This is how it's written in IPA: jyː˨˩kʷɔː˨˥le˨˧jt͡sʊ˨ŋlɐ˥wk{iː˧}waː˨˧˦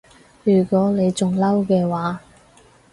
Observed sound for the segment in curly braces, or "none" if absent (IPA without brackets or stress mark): ɛː˧